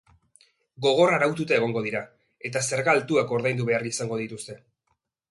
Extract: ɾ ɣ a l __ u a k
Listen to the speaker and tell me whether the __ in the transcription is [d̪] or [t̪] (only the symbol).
t̪